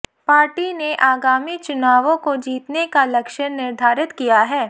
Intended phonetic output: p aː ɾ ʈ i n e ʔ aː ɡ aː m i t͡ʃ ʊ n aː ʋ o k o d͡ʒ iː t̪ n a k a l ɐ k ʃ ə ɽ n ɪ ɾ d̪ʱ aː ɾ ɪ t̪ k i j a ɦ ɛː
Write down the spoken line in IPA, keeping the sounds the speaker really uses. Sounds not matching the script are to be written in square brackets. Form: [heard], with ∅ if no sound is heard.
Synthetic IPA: p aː ɾ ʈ i n e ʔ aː ɡ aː m i t͡ʃ ʊ n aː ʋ [õ] k o d͡ʒ iː t̪ n [e] k a l ɐ k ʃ ə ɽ n ɪ ɾ d̪ʱ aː ɾ ɪ t̪ k i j a ɦ ɛː